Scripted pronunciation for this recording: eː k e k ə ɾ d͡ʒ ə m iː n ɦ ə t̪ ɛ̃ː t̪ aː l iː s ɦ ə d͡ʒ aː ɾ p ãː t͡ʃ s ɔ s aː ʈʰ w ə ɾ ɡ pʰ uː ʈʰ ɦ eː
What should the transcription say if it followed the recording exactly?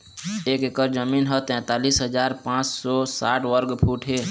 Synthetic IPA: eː k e k ə ɾ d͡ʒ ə m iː n ɦ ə t̪ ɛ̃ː t̪ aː l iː s ɦ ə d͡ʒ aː ɾ p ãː t͡ʃ s ɔ s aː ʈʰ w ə ɾ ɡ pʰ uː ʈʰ ɦ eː